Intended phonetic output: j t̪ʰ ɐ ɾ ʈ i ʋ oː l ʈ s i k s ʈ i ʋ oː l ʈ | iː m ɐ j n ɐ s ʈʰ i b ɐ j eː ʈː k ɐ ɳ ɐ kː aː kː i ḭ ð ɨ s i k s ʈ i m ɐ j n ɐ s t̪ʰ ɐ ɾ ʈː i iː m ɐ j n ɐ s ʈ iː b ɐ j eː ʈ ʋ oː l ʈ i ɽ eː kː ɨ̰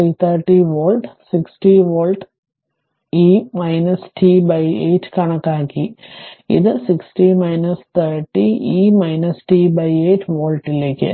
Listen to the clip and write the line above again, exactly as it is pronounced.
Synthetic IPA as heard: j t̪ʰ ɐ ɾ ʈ i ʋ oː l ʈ s i k s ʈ i ʋ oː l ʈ | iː m ɐ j n ɐ s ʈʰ i b ɐ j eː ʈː k ɐ ɳ ɐ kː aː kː i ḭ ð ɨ s i k s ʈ i m ɐ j n ɐ s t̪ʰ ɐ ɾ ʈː i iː m ɐ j n ɐ s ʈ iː b ɐ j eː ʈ ʋ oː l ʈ i l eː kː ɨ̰